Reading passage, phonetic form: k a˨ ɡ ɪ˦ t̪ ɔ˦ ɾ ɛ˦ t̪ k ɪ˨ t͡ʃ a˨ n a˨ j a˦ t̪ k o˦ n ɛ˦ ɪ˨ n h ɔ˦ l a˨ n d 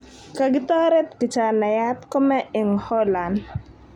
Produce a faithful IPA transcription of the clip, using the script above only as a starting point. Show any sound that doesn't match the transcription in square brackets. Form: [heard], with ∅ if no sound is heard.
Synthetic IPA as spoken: k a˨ ɡ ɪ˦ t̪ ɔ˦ ɾ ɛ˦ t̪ k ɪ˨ t͡ʃ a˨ n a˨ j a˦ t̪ k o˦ [m] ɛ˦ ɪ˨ [ŋ] h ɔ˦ l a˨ n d